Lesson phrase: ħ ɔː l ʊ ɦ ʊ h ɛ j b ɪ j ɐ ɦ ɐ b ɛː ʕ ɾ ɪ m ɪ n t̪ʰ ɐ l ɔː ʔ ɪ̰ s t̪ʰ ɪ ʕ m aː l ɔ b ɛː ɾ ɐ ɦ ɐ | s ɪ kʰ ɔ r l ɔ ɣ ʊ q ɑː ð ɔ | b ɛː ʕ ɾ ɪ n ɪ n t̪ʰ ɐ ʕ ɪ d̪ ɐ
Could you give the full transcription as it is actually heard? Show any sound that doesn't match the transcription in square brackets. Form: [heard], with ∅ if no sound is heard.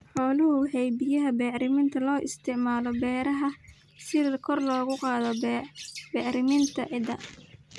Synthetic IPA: ħ ɔː l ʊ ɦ ʊ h ɛ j b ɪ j ɐ ɦ ɐ b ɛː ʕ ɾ ɪ m ɪ n t̪ʰ ɐ l ɔː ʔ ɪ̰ s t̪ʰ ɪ ʕ m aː l ɔ b ɛː ɾ ɐ ɦ ɐ | s ɪ kʰ ɔ r l [ɔː] ɣ ʊ q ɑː ð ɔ | b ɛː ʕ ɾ ɪ [m] ɪ n t̪ʰ ɐ ʕ ɪ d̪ ɐ